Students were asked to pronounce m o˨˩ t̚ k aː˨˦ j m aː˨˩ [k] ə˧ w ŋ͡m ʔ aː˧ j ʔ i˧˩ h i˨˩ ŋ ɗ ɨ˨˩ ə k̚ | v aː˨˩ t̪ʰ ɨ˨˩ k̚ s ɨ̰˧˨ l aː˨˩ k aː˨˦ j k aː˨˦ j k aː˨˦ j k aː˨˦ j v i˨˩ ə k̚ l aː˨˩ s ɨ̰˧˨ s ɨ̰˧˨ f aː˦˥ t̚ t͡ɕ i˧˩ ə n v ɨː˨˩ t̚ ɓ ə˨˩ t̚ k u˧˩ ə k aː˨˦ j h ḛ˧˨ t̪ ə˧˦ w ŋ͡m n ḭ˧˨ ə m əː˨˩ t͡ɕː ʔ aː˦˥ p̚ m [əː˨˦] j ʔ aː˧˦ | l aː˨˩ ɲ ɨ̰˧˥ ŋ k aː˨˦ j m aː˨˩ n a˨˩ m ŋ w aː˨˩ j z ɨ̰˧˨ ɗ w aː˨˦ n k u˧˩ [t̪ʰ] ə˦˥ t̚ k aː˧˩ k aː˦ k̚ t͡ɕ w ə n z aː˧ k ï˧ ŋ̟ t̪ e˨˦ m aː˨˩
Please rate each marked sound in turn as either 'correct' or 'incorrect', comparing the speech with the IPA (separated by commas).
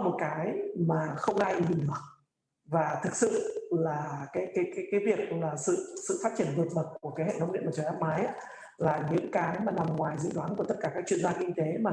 incorrect, incorrect, incorrect